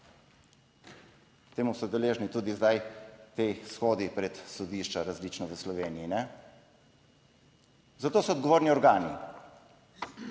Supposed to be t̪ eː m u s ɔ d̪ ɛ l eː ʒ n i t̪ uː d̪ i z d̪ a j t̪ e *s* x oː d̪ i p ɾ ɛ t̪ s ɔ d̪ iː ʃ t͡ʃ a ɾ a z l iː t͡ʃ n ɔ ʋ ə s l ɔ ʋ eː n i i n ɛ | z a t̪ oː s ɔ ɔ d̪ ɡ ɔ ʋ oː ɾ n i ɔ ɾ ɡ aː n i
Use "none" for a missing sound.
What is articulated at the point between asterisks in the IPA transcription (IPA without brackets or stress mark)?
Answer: s